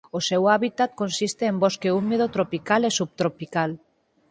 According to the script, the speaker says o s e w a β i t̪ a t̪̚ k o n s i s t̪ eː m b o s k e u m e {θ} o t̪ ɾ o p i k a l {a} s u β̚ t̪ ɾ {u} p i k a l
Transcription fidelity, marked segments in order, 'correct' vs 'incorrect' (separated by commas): incorrect, incorrect, incorrect